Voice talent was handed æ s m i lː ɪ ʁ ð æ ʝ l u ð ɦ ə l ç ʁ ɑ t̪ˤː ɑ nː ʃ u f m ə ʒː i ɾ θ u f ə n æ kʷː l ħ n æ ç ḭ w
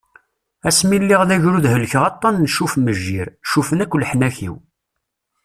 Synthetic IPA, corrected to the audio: æ s m i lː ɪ ʁ ð æ ʝ ɾ u ð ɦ ə l ç ʁ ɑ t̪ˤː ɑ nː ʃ u f m ə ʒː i ɾ ʃ u f ə n æ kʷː l ħ n æ ç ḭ w